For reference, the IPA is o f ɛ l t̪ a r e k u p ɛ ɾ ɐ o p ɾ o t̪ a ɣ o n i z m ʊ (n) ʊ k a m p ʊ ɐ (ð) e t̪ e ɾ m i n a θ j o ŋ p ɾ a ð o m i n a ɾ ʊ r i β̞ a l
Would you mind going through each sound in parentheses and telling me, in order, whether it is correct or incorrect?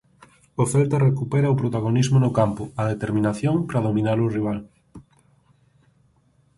correct, correct

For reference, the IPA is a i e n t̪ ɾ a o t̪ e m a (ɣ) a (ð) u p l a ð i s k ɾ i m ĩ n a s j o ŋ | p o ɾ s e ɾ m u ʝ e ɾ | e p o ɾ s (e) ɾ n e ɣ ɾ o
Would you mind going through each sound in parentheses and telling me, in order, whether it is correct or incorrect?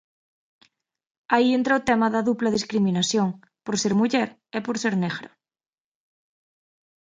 incorrect, correct, correct

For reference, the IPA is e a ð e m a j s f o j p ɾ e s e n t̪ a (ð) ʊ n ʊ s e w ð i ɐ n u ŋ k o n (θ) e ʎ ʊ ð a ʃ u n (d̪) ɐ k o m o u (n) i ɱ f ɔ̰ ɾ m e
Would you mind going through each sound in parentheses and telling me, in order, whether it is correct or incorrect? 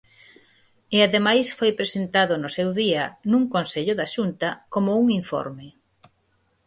correct, incorrect, incorrect, incorrect

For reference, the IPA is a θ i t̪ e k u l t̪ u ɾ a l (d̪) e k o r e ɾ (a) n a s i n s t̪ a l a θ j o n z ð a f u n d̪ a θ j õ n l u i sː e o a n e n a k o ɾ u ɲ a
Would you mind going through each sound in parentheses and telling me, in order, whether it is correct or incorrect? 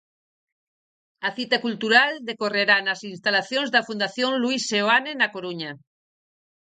correct, correct

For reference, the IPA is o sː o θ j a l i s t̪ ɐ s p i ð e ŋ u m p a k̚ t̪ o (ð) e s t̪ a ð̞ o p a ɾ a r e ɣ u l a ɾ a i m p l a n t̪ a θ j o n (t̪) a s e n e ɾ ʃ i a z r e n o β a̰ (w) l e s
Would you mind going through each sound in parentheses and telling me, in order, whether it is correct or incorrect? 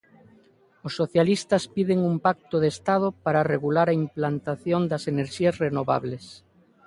correct, incorrect, incorrect

